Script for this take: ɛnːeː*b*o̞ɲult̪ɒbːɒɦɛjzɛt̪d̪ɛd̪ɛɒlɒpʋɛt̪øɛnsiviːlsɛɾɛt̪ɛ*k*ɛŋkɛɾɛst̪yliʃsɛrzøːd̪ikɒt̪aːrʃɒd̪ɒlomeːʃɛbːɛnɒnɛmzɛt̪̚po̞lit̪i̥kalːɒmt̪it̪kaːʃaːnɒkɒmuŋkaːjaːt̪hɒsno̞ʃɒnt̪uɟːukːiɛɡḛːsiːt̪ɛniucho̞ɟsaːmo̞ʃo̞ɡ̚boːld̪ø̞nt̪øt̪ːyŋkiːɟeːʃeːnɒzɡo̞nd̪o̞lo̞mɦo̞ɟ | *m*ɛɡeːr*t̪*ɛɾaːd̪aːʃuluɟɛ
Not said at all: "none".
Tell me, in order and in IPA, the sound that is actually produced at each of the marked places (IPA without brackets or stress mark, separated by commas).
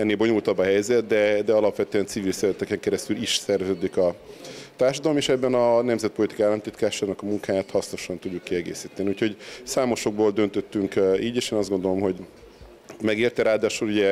b, k, m, t̪